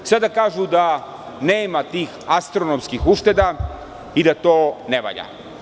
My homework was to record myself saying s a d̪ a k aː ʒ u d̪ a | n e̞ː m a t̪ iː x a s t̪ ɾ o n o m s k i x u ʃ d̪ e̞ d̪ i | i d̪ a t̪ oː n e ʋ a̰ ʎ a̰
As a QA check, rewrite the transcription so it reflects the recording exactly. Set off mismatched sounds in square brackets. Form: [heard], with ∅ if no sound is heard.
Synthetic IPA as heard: s a d̪ a k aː ʒ u d̪ a | n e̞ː m a t̪ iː x a s t̪ ɾ o n o m s k i x u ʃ [t̪] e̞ d̪ [a] | i d̪ a t̪ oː n e ʋ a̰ ʎ a̰